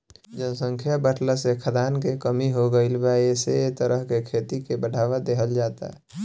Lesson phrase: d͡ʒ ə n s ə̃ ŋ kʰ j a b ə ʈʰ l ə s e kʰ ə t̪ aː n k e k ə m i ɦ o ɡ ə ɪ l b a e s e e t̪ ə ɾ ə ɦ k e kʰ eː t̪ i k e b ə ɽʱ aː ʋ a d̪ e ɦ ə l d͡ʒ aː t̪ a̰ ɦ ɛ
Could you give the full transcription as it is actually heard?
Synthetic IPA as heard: d͡ʒ ə n s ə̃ ŋ kʰ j a b ə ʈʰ l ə s e kʰ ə d̪ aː n k e k ə m i ɦ o ɡ ə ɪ l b a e s e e t̪ ə ɾ ə ɦ k e kʰ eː t̪ i k e b ə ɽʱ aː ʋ a d̪ e ɦ ə l d͡ʒ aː t̪ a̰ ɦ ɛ